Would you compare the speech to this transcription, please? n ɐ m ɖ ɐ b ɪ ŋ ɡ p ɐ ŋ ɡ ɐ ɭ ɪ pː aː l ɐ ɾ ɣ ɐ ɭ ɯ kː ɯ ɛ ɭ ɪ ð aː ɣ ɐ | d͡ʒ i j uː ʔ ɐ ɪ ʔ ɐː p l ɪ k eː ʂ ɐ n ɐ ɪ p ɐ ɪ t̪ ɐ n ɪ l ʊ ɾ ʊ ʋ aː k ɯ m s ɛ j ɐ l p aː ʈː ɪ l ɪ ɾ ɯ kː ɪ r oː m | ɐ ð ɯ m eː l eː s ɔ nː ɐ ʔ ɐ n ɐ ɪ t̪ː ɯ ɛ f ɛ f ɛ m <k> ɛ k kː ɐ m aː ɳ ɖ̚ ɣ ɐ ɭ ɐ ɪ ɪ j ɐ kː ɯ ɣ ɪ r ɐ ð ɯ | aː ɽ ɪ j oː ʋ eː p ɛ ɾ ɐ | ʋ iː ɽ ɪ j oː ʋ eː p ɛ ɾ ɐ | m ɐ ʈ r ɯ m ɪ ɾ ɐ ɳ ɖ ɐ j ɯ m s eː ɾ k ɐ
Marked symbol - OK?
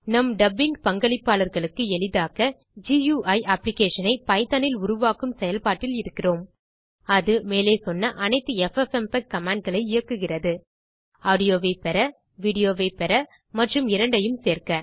no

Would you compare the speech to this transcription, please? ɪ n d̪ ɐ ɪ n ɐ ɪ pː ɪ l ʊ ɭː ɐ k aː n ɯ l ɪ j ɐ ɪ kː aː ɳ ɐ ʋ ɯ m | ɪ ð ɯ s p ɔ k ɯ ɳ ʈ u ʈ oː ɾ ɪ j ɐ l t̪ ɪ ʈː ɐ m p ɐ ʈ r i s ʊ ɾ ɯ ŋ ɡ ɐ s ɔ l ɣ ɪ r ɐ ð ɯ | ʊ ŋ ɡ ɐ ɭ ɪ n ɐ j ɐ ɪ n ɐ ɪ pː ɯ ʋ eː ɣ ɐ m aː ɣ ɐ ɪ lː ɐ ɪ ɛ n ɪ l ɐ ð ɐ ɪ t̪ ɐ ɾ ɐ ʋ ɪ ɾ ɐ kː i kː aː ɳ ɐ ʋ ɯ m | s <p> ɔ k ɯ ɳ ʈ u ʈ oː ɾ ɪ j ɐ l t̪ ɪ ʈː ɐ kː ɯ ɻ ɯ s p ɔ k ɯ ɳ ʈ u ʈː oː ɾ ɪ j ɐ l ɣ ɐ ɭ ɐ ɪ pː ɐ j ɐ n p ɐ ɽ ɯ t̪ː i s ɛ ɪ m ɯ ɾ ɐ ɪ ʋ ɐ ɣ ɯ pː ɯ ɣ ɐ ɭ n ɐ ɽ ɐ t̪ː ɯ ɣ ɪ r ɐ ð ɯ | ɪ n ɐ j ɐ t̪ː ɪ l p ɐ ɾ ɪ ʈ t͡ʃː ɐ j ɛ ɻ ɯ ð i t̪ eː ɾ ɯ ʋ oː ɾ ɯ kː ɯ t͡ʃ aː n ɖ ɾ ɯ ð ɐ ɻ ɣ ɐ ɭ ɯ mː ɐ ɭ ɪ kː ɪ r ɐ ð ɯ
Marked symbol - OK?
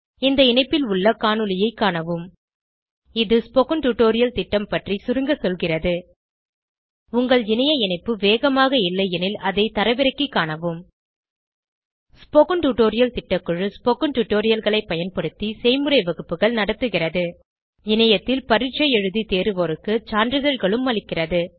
yes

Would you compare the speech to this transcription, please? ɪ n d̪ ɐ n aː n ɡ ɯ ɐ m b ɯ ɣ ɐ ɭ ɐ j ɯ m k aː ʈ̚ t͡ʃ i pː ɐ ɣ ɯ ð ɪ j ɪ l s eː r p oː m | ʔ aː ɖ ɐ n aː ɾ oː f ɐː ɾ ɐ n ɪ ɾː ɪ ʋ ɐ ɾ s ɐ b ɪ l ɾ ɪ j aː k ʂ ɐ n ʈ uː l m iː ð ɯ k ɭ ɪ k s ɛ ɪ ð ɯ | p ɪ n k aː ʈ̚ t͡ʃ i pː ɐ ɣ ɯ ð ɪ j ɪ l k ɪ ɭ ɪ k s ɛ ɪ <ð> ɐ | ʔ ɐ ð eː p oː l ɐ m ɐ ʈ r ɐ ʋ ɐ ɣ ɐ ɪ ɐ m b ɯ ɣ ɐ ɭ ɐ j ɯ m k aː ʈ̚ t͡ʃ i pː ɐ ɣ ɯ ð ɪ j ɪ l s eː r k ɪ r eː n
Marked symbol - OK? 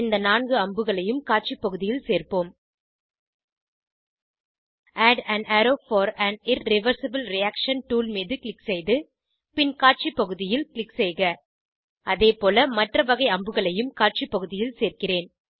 no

